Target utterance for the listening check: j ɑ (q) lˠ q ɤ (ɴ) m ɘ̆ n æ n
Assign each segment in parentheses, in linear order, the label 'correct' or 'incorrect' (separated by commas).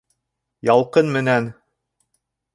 incorrect, incorrect